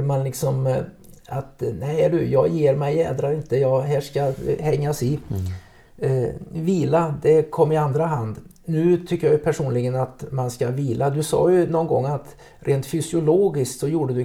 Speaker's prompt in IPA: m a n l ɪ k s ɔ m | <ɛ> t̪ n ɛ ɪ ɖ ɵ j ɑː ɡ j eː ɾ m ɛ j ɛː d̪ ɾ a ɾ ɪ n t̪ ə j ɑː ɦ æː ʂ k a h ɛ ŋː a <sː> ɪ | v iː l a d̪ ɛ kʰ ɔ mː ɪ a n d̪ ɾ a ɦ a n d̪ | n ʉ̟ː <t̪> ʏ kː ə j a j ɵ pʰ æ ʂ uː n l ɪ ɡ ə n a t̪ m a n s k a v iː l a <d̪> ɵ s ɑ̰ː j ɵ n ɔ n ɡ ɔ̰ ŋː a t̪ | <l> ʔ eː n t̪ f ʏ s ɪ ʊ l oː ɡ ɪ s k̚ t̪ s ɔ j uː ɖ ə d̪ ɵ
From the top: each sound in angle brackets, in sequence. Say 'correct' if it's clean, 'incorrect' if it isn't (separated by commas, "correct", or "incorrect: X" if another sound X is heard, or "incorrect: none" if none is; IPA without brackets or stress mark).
incorrect: a, incorrect: s, incorrect: t̪ʰ, correct, incorrect: ɾ